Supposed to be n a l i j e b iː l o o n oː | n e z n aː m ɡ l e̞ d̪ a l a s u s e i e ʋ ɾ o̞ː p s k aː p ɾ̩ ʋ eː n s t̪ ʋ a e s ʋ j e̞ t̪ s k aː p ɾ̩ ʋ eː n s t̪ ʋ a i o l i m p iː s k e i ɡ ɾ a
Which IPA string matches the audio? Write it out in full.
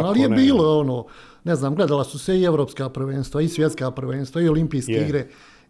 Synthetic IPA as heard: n a l i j e b iː l o o n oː | n e z n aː m ɡ l e̞ d̪ a l a s u s e i e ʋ ɾ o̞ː p s k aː p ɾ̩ ʋ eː n s t̪ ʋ a i s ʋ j e̞ t̪ s k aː p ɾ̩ ʋ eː n s t̪ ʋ a i o l i m p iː s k e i ɡ ɾ e